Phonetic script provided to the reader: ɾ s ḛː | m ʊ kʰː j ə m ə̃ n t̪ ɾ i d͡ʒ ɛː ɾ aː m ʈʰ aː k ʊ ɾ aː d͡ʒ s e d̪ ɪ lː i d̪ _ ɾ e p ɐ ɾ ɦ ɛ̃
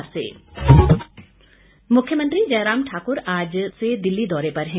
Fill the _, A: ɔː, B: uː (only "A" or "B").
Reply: A